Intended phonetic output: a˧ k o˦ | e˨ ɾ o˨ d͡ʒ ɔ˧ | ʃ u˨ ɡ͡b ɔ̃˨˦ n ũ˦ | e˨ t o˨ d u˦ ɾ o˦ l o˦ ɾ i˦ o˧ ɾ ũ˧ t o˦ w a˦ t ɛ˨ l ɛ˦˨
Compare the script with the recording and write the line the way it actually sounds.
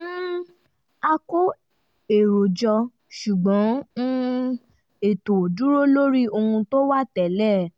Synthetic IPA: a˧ k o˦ | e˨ ɾ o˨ d͡ʒ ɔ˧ | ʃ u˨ ɡ͡b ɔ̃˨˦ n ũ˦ | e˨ t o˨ d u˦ ɾ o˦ l o˦ ɾ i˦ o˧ ũ˧ t o˦ w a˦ t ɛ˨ l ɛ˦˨